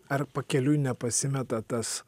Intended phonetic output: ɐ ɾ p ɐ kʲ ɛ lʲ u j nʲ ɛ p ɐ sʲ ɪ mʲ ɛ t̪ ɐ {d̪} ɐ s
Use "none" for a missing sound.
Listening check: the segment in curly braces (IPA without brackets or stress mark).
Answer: t̪